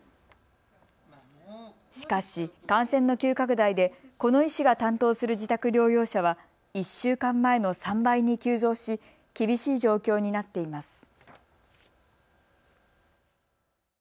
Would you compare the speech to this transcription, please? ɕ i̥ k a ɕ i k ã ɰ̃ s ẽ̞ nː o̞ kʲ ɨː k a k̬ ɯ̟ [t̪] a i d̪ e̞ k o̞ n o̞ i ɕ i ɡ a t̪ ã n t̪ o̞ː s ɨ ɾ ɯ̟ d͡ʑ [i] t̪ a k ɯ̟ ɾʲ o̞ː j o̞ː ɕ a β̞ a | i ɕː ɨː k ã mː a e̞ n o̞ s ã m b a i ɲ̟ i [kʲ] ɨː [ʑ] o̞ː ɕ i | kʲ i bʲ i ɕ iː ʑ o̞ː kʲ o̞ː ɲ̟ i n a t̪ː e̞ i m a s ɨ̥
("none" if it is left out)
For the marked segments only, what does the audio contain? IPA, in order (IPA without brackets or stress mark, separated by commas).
d̪, i, kʲ, z